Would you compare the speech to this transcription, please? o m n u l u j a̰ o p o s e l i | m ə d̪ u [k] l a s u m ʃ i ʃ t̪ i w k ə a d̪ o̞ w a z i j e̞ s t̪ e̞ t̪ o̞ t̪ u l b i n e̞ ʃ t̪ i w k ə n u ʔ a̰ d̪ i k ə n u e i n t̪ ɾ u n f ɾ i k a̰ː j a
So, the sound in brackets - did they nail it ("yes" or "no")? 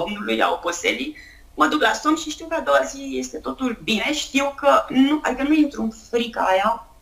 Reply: yes